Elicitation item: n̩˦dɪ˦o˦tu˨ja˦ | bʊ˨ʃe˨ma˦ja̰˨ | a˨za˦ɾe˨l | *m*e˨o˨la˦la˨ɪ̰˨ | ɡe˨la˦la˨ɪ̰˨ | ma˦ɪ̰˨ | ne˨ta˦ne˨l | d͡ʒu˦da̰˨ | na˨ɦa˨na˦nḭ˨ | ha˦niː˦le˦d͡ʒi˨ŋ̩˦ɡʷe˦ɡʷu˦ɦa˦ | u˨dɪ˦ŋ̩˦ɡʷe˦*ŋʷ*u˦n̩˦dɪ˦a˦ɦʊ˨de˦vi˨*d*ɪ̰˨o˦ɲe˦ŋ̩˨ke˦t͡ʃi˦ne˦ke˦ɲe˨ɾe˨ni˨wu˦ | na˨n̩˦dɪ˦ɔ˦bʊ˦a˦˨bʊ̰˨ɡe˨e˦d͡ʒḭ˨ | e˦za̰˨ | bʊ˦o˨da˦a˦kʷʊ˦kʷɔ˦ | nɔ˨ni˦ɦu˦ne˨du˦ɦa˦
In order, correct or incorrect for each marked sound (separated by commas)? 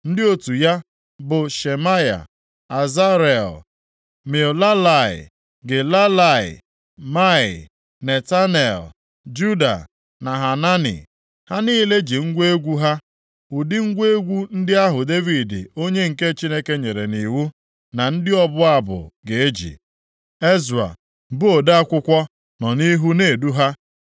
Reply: correct, incorrect, correct